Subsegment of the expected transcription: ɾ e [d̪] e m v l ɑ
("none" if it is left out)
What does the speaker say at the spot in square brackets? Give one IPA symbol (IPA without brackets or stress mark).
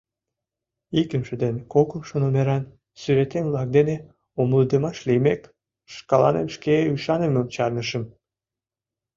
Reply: t̪